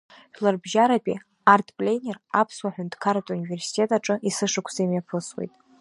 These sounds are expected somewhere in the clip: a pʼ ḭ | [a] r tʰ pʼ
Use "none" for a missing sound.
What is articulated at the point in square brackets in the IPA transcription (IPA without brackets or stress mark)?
a